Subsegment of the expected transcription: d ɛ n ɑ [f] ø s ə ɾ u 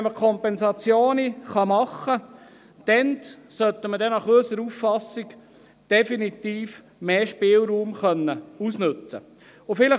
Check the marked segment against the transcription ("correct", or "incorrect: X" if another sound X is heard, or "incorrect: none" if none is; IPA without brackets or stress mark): incorrect: χ